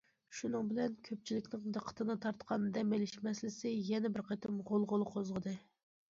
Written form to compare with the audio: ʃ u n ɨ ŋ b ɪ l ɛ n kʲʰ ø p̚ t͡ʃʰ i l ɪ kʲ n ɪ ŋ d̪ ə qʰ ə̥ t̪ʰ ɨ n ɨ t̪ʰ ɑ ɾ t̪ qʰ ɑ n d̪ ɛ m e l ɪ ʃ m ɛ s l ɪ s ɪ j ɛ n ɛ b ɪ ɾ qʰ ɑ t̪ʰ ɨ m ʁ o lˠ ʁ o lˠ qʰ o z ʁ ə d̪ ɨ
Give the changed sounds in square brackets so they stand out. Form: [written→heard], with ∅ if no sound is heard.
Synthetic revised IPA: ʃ u n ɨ ŋ b ɪ l ɛ n kʲʰ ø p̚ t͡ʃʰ i l ɪ kʲ n ɪ ŋ d̪ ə qʰ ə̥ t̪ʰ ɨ n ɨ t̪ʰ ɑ ɾ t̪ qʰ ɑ n d̪ ɛ m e l ɪ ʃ m ɛ s l ɪ s ɪ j ɛ n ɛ b ɪ ɾ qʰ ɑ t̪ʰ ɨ m ʁ o lˠ ʁ o lˠ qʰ o z ʁ ə d̪ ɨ